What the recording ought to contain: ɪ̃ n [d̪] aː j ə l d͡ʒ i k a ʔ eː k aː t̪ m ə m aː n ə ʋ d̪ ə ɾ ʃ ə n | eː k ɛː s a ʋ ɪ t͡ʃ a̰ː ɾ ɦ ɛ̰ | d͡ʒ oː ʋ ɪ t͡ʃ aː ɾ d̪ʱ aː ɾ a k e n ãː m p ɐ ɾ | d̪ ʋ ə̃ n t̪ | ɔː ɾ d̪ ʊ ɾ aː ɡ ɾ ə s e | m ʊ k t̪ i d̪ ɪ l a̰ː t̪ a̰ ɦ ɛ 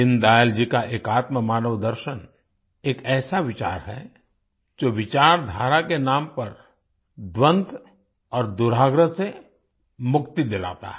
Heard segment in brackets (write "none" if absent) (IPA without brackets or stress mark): d̪